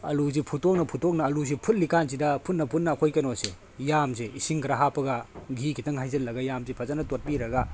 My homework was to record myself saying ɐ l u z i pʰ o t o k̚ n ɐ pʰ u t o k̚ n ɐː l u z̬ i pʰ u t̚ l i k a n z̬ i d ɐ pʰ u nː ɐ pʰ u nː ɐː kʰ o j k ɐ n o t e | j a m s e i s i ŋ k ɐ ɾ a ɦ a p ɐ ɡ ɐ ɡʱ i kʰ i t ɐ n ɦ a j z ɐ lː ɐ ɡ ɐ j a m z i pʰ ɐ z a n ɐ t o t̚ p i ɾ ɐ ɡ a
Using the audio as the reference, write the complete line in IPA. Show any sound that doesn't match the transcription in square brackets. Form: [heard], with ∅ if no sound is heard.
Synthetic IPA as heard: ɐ l u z i pʰ [u] t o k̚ n ɐ pʰ u t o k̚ n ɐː l u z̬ i pʰ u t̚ l i k a n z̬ i d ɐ pʰ u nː ɐ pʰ u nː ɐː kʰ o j k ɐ n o [s] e | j a m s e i s i ŋ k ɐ ɾ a ɦ a p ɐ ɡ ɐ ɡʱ i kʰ i t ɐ [ŋ] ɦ a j z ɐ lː ɐ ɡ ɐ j a m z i pʰ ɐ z a n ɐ t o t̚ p i ɾ ɐ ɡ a